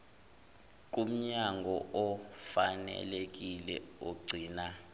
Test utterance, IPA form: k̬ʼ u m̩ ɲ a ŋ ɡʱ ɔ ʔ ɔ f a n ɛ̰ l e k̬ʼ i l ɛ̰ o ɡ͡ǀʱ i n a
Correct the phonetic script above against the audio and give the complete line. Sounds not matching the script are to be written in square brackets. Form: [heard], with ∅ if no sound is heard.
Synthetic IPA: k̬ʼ u m̩ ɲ a ŋ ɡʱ ɔ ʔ ɔ f a n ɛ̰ l e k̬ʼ i l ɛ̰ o ɡ͡ǀʱ [iː] n a